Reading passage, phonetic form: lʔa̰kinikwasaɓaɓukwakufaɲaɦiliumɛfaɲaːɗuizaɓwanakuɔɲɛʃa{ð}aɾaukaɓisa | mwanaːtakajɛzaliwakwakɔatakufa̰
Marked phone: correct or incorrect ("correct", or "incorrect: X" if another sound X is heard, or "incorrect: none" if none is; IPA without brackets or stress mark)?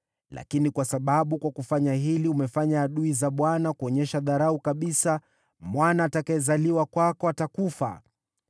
correct